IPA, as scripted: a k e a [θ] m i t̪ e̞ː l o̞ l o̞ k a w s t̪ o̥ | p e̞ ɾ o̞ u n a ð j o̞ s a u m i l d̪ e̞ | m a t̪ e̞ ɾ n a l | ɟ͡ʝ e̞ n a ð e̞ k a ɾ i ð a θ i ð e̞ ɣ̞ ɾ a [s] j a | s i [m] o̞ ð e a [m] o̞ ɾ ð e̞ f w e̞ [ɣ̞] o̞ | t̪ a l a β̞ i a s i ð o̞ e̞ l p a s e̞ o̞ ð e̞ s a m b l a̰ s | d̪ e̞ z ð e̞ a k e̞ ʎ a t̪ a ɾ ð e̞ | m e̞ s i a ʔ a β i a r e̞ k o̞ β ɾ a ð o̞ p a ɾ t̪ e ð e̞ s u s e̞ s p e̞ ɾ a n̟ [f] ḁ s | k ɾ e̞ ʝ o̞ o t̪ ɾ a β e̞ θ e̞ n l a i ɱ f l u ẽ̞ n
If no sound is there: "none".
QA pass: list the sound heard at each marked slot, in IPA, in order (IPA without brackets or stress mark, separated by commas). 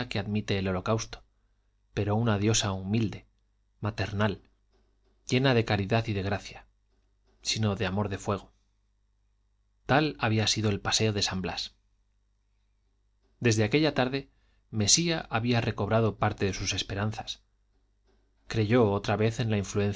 ð, θ, n, m, ɣ̞, θ